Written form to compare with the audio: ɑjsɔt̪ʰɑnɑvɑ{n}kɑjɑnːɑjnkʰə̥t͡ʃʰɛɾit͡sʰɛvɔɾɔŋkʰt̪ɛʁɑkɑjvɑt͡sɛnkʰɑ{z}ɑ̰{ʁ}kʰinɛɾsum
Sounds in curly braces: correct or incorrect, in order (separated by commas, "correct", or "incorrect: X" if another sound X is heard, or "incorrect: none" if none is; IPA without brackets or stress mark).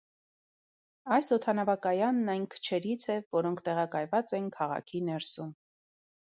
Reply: incorrect: none, incorrect: ʁ, incorrect: none